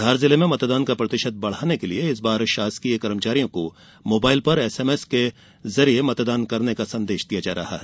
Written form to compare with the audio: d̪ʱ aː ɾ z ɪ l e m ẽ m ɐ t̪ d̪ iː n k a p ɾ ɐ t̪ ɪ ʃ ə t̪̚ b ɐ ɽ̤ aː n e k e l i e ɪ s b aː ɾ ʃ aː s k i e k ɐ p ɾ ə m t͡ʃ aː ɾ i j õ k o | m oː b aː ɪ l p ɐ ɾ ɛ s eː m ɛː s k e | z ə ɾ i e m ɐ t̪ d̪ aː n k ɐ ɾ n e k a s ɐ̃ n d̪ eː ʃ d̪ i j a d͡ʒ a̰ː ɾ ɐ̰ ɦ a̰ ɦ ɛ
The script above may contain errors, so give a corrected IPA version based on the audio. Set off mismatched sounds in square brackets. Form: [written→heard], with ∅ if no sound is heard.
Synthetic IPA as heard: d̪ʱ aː ɾ z ɪ l e m ẽ m ɐ t̪ d̪ [iː→aː] n k a p ɾ ɐ t̪ ɪ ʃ ə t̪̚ b ɐ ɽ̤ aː n e k e l i e ɪ s b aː ɾ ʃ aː s k i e k ɐ [p→∅] ɾ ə m t͡ʃ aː ɾ i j õ k o | m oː b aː ɪ l p ɐ ɾ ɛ s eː m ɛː s k e | z [ə→ɐ] ɾ i e m ɐ t̪ d̪ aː n k ɐ ɾ n e k a s ɐ̃ n d̪ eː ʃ d̪ i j a d͡ʒ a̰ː ɾ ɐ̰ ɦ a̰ ɦ ɛ